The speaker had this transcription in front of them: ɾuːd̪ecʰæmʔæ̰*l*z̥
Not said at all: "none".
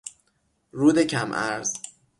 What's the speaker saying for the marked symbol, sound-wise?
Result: ɾ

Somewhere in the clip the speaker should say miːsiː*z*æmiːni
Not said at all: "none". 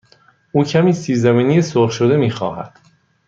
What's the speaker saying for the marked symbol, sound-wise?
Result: z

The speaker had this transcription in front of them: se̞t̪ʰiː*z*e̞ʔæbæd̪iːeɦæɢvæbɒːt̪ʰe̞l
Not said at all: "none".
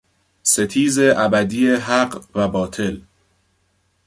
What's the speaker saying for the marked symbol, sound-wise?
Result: z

